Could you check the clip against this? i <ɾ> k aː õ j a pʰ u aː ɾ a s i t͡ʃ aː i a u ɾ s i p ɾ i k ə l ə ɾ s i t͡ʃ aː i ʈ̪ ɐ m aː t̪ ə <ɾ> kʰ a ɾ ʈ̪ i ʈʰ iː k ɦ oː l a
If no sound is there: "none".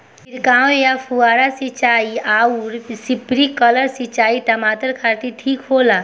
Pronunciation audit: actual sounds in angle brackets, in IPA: ɾ, ɾ

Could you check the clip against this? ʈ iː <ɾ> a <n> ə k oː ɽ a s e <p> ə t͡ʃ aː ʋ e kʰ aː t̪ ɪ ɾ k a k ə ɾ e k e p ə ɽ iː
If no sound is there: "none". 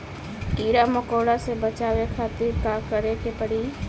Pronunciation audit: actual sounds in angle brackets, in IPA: ɾ, m, b

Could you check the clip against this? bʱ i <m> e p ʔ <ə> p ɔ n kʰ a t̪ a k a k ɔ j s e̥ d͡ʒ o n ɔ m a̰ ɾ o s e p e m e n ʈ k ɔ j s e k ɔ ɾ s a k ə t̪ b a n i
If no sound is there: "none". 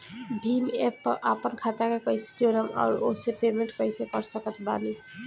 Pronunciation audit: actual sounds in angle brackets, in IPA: m, a

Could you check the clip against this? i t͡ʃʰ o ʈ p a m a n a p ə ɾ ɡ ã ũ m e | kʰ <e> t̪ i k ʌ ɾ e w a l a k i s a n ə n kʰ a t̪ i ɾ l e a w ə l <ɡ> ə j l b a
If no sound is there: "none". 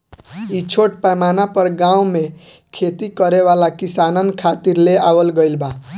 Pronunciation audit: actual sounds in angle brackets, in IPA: e, ɡ

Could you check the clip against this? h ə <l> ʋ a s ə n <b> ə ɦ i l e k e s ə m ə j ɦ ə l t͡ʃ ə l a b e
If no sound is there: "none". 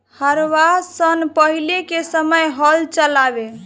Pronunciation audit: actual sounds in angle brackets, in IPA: ɾ, p

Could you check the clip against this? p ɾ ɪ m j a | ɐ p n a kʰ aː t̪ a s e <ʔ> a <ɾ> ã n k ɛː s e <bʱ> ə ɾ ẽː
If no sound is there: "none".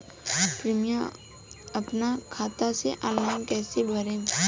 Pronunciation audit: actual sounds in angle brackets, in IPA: ʔ, l, bʱ

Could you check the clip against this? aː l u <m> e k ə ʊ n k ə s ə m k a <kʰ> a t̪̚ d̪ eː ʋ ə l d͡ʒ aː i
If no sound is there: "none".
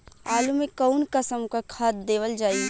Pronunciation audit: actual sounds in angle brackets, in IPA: m, kʰ

